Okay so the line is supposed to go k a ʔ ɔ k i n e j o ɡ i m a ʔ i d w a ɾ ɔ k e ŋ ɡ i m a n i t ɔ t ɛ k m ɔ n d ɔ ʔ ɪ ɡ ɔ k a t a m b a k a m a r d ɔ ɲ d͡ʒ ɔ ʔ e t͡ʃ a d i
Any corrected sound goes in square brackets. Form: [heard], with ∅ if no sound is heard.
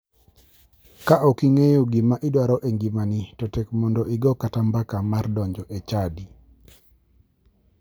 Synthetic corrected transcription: k a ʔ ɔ k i [ŋ] e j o ɡ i m a ʔ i d w a ɾ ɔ [ʔ] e ŋ ɡ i m a n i t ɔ t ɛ k m ɔ n d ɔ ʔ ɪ ɡ ɔ k a t a m b a k a m a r d ɔ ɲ d͡ʒ ɔ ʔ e t͡ʃ a d i